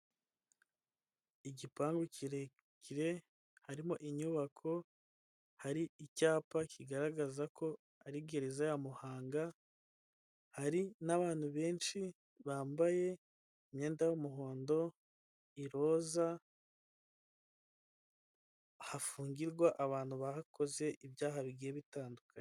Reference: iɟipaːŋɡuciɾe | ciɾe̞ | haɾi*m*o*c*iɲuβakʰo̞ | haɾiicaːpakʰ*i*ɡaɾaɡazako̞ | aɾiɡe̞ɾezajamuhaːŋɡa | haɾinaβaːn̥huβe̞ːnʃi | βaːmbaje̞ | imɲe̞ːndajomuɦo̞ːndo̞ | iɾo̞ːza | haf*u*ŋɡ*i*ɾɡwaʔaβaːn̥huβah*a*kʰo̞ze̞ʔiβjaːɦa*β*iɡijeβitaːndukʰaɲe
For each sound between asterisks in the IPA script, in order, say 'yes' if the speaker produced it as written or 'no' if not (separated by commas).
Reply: yes, no, yes, no, yes, yes, yes